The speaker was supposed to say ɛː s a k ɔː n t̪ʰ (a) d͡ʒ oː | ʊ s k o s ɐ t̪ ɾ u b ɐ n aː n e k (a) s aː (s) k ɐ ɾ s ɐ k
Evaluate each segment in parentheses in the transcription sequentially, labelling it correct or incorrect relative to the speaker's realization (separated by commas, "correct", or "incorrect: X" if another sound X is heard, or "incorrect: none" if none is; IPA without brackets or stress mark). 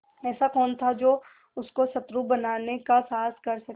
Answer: correct, correct, correct